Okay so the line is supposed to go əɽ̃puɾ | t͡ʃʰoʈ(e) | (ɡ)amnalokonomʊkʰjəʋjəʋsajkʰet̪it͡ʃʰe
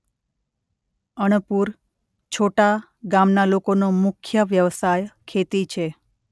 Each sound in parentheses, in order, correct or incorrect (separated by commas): incorrect, correct